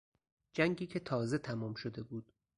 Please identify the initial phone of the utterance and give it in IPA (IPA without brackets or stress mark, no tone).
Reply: d͡ʒ